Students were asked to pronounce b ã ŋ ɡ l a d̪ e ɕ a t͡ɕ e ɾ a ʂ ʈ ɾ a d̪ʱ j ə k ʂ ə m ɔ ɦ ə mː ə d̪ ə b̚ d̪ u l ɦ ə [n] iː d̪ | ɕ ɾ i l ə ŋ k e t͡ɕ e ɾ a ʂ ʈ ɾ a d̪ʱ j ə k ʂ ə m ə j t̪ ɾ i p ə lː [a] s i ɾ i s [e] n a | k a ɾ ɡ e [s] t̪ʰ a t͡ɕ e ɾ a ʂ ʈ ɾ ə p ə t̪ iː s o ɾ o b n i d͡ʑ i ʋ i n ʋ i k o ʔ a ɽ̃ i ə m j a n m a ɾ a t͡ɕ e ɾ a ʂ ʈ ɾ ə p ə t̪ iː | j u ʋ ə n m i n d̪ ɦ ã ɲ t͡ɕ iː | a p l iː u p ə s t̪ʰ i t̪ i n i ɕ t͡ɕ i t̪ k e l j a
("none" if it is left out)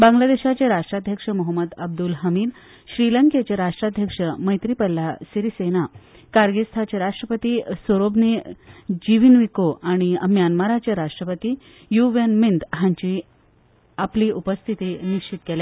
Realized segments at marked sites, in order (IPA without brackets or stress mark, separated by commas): m, a, e, s